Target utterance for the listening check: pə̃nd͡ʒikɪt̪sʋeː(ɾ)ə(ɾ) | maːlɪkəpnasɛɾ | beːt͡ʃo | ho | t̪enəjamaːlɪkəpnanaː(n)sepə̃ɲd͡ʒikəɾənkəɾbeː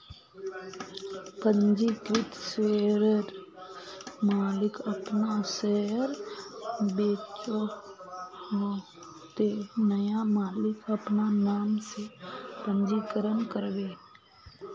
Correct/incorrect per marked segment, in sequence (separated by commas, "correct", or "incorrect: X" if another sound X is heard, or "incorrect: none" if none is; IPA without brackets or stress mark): correct, correct, incorrect: m